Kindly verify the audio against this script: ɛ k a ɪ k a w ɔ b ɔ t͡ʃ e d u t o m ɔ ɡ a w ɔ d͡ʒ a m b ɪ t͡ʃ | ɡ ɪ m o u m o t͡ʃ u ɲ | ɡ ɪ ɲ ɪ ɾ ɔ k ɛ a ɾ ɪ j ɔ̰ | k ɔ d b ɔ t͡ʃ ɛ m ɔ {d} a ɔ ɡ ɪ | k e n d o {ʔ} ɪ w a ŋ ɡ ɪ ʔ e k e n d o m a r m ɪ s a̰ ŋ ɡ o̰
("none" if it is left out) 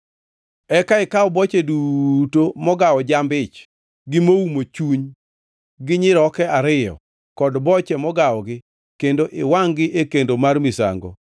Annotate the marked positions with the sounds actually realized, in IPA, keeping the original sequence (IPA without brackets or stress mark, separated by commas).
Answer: ɡ, ʔ